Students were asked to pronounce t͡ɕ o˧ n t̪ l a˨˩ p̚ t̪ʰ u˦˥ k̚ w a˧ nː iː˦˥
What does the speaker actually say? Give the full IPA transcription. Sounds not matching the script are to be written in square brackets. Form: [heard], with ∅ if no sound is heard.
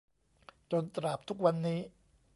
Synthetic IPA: t͡ɕ o˧ n t̪ [ɾ] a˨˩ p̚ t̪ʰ u˦˥ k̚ w a˧ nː iː˦˥

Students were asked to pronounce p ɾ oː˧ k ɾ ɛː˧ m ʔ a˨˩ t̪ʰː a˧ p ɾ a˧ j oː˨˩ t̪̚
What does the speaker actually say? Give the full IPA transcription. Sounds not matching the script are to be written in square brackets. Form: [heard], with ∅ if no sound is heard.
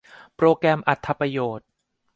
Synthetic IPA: p ɾ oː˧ k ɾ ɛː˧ m ʔ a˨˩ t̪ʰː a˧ p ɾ a˧ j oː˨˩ t̪̚

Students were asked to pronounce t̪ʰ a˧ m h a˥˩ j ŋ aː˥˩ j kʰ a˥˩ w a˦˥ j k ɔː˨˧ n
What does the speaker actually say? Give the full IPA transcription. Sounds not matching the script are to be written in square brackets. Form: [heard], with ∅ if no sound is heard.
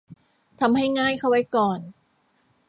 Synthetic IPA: t̪ʰ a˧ m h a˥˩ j ŋ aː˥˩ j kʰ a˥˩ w a˦˥ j k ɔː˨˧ n

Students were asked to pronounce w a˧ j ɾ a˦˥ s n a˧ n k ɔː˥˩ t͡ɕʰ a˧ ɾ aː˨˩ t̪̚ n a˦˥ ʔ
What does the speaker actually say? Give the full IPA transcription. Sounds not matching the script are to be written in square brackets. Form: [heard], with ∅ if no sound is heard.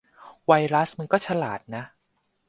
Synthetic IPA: w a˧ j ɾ a˦˥ s [m] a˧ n k ɔː˥˩ t͡ɕʰ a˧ [l] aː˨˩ t̪̚ n a˦˥ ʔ

